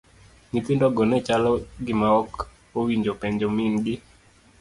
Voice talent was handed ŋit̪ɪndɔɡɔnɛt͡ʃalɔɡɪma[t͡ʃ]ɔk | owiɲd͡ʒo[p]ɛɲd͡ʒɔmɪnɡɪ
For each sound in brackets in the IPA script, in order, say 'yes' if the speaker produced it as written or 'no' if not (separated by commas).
no, yes